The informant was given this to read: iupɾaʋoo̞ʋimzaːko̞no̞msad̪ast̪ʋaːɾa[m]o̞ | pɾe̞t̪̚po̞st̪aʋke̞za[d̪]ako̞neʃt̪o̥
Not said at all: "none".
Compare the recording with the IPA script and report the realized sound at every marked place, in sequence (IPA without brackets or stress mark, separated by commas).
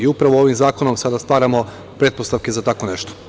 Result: m, t̪